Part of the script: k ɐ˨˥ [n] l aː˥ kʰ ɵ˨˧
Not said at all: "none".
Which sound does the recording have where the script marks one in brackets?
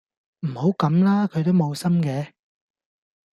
m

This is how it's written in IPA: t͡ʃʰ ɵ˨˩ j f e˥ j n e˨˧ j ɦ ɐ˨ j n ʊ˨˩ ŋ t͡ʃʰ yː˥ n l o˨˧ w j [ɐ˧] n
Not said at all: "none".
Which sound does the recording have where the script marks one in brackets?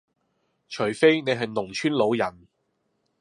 ɐ˨˩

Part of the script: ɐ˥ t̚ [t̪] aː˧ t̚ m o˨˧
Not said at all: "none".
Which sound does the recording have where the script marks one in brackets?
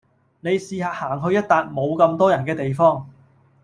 t̪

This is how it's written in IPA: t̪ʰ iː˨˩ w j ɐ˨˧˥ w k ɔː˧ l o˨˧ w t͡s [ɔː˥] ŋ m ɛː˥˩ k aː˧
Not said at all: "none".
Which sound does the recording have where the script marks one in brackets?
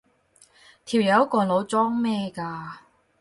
ɔː˥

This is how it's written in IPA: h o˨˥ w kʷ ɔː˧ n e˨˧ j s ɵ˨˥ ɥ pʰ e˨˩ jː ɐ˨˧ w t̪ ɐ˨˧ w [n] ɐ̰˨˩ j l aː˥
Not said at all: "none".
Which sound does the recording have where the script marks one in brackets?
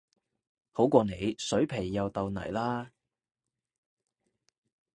n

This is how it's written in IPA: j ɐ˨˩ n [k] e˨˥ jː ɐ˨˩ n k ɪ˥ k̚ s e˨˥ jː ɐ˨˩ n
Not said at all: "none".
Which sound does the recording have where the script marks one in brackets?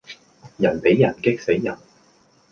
p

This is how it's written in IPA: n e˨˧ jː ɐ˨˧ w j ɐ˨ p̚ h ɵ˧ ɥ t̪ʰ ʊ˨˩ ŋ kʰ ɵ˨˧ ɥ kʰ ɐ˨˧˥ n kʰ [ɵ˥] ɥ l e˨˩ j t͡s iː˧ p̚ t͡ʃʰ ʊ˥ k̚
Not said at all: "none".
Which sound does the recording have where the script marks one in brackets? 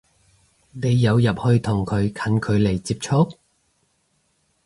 ɵ˨˧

